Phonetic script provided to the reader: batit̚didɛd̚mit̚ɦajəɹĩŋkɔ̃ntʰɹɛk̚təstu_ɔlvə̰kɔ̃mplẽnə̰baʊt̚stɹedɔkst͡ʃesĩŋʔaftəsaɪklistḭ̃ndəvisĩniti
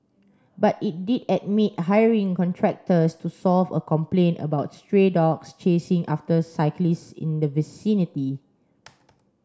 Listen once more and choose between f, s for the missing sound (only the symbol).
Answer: s